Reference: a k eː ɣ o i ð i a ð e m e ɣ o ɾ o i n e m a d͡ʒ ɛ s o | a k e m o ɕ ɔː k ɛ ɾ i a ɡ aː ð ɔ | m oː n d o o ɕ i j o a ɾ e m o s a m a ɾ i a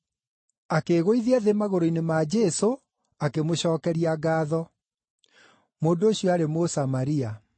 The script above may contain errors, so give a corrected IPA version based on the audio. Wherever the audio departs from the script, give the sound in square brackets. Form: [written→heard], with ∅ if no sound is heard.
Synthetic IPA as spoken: a k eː ɣ o i ð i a ð e m [e→a] ɣ o ɾ o i n e m a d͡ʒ ɛ s o | a k e m o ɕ ɔː k ɛ ɾ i a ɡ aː ð ɔ | m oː n d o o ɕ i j [o→ɔ] a ɾ e m o s a m a ɾ i a